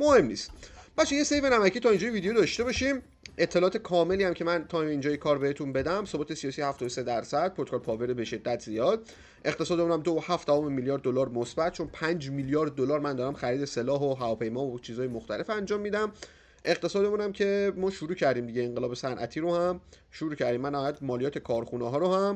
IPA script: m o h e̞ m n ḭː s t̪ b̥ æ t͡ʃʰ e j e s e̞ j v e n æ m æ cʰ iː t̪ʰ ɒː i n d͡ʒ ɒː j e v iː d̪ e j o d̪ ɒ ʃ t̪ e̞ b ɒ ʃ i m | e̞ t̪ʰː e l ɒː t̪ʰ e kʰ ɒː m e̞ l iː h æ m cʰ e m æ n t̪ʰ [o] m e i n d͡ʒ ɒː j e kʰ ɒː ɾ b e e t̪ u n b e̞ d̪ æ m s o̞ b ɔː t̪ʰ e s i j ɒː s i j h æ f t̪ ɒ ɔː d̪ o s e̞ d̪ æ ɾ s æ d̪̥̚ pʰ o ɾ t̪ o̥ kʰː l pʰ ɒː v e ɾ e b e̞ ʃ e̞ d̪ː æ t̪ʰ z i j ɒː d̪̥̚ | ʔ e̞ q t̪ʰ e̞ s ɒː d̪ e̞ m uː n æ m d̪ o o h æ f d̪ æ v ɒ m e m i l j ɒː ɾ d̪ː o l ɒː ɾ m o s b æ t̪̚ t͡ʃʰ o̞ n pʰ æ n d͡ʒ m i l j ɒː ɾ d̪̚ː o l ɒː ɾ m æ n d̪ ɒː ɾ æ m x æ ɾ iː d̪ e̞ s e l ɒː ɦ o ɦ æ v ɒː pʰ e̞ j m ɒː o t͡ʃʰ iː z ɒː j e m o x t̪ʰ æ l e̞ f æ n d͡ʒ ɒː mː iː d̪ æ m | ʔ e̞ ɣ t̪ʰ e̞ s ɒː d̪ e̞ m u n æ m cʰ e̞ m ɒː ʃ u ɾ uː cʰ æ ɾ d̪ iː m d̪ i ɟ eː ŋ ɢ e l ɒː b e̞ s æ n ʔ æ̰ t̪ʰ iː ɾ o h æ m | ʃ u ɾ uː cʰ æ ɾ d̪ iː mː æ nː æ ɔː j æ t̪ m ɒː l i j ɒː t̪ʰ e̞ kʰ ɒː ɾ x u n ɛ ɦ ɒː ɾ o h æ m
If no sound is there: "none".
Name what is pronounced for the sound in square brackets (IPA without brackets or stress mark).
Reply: ɒ